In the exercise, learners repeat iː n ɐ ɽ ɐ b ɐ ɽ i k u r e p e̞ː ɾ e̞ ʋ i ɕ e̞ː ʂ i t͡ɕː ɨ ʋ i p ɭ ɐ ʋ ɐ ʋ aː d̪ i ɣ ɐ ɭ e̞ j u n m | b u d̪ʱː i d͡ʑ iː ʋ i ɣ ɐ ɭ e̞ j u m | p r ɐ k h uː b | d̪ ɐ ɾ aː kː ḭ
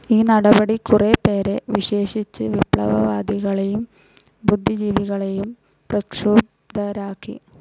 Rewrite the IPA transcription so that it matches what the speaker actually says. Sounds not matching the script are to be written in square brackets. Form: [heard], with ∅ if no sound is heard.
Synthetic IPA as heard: iː n ɐ ɽ ɐ b ɐ ɽ i k u r e p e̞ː ɾ e̞ ʋ i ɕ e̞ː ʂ i t͡ɕː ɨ ʋ i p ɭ ɐ ʋ ɐ ʋ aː d̪ i ɣ ɐ ɭ e̞ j u [∅] m | b u d̪ʱː i d͡ʑ iː ʋ i ɣ ɐ ɭ e̞ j u m | p r ɐ k [ʂ] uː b | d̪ ɐ ɾ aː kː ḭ

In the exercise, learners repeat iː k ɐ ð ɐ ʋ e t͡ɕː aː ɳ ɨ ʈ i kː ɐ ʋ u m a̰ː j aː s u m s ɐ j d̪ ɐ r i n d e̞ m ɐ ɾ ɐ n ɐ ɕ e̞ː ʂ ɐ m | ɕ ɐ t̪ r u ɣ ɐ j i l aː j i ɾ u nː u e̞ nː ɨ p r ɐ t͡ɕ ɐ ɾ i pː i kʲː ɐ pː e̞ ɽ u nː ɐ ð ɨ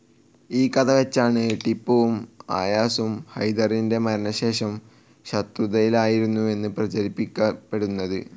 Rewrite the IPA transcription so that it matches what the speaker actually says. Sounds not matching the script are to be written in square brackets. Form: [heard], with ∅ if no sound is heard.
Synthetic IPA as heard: iː k ɐ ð ɐ ʋ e t͡ɕː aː ɳ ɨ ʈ i [pː] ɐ ʋ u m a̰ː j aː s u m [h] ɐ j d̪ ɐ r i n d e̞ m ɐ ɾ ɐ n ɐ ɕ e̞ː ʂ ɐ m | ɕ ɐ t̪ r u [ð] ɐ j i l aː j i ɾ u nː u e̞ nː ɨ p r ɐ t͡ɕ ɐ ɾ i pː i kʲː ɐ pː e̞ ɽ u nː ɐ ð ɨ

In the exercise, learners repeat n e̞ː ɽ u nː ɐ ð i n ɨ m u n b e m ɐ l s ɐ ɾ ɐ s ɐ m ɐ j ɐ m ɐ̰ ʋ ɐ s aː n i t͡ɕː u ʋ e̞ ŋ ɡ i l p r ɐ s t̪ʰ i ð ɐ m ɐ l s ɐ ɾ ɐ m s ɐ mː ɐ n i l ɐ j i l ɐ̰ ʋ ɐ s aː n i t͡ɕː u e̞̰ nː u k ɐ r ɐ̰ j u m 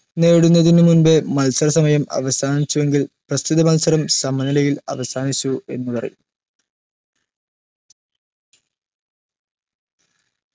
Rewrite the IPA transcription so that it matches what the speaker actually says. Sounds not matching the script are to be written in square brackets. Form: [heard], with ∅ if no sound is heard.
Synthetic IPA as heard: n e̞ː ɽ u nː ɐ ð i n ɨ m u n b e m ɐ l s ɐ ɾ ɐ s ɐ m ɐ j ɐ m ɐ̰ ʋ ɐ s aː n i t͡ɕː u ʋ e̞ ŋ ɡ i l p r ɐ s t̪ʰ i ð ɐ m ɐ l s ɐ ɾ ɐ m s ɐ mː ɐ n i l ɐ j i l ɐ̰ ʋ ɐ s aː n i t͡ɕː u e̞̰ nː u [p] ɐ r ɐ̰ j u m

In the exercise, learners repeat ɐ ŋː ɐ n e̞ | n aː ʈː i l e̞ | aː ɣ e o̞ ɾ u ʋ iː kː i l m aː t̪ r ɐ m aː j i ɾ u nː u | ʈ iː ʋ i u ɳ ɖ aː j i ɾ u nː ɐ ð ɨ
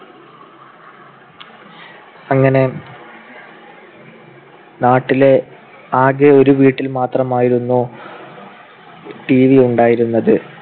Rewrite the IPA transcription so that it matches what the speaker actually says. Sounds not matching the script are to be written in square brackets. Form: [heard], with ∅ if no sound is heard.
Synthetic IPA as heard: ɐ ŋː ɐ n e̞ | n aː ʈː i l e̞ | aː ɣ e o̞ ɾ u ʋ iː [ʈː] i l m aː t̪ r ɐ m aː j i ɾ u nː u | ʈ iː ʋ i u ɳ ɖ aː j i ɾ u nː ɐ ð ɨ

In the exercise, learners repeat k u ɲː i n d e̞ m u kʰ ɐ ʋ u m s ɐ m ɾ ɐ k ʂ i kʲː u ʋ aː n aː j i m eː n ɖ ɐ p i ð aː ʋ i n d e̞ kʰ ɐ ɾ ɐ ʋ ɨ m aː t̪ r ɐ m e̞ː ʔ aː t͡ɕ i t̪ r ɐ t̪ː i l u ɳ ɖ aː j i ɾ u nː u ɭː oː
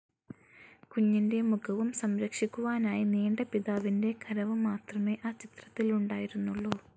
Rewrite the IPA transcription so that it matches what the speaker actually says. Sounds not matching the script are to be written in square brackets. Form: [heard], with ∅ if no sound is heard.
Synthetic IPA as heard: k u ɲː i n d e̞ m u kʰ ɐ ʋ u m s ɐ m ɾ ɐ k ʂ i kʲː u ʋ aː n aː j i [n] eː [ɳ] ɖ ɐ p i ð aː ʋ i n d e̞ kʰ ɐ ɾ ɐ ʋ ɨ m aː t̪ r ɐ m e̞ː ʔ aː t͡ɕ i t̪ r ɐ t̪ː i l u ɳ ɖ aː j i ɾ u nː u ɭː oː

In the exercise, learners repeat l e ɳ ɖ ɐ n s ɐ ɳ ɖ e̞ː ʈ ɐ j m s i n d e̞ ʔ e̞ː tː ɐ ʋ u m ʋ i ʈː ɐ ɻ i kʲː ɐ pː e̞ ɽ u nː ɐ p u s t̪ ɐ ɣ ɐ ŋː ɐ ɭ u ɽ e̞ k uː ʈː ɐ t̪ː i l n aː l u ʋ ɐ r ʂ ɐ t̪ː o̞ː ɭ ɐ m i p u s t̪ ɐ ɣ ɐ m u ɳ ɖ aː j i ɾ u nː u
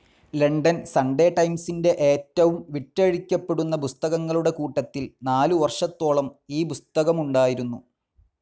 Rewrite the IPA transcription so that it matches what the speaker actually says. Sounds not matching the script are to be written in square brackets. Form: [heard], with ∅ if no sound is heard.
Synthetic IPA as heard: l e ɳ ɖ ɐ n s ɐ ɳ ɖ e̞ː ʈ ɐ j m s i n d e̞ ʔ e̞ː tː ɐ ʋ u m ʋ i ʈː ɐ ɻ i kʲː ɐ pː e̞ ɽ u nː ɐ p u s t̪ ɐ ɣ ɐ ŋː ɐ ɭ u ɽ e̞ k uː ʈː ɐ t̪ː i l n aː l u ʋ ɐ r ʂ ɐ t̪ː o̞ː ɭ ɐ m [iː] p u s t̪ ɐ ɣ ɐ m u ɳ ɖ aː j i ɾ u nː u

